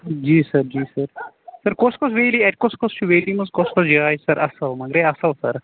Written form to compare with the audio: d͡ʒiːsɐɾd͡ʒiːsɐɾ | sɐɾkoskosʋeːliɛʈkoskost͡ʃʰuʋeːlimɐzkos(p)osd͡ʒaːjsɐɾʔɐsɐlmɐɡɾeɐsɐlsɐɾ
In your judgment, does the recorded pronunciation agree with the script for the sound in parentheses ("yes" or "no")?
no